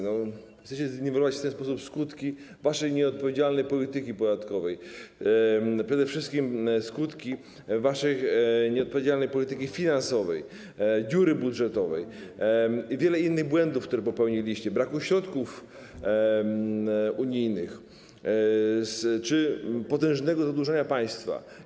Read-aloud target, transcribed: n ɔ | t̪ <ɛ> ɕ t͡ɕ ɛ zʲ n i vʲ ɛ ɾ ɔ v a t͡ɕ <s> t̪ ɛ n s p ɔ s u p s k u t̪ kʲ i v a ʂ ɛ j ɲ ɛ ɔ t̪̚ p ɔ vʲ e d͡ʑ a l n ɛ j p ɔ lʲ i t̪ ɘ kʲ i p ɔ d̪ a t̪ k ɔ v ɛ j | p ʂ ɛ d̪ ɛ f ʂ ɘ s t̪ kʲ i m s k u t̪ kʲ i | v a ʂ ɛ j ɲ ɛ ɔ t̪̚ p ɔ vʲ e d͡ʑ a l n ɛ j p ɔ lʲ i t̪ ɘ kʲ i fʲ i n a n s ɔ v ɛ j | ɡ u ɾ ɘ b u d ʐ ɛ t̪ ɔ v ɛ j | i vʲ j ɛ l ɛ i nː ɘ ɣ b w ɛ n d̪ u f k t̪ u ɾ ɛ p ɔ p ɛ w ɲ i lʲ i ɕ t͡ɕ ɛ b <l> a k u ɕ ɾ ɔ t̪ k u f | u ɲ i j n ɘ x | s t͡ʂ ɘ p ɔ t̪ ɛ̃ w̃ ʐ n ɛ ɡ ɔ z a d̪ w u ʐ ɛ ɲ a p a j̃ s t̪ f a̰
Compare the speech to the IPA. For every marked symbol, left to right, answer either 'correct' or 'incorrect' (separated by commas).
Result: correct, incorrect, incorrect